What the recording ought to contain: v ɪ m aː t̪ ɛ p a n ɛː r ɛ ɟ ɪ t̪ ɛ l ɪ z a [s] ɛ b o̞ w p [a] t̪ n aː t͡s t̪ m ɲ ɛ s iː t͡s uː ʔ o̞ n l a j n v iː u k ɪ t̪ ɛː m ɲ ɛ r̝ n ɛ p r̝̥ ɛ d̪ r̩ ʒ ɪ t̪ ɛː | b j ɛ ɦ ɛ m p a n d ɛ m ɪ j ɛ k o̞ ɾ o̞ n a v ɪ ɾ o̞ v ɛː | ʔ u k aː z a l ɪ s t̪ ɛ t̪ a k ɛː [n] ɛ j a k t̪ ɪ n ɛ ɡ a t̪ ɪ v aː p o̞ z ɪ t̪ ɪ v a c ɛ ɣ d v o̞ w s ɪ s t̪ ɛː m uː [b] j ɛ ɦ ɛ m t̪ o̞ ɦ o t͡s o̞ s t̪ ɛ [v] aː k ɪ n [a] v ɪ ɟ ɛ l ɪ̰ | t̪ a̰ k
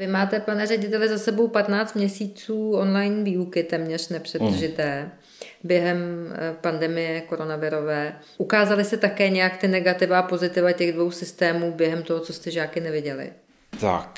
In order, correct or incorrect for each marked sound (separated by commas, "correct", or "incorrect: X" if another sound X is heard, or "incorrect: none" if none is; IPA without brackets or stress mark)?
correct, correct, incorrect: ɲ, correct, incorrect: ʒ, incorrect: ɛ